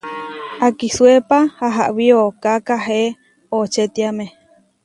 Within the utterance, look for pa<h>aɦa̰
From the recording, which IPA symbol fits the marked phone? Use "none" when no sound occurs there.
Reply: h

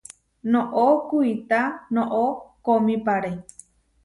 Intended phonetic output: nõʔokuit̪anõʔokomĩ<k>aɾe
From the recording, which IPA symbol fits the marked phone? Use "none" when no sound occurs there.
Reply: p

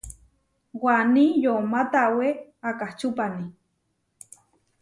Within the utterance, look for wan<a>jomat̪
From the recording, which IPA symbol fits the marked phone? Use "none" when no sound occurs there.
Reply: i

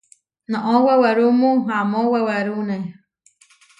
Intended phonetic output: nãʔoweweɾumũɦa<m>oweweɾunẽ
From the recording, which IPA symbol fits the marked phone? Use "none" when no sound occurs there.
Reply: m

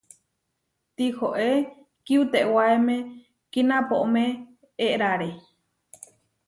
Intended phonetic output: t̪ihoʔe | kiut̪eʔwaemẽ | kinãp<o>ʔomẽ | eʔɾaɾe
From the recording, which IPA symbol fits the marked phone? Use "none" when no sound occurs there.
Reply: o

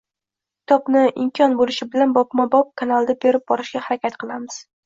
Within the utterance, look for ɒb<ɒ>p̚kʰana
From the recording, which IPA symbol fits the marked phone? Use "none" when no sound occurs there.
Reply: ɒ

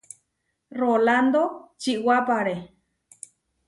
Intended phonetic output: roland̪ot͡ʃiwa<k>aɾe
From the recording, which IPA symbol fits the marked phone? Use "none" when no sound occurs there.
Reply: p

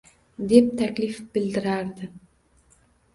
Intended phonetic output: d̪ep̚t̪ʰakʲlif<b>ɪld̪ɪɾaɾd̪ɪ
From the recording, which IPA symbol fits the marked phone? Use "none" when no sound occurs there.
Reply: b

